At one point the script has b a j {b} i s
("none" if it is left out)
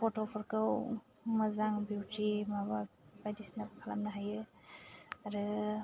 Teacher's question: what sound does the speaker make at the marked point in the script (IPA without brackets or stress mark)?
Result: d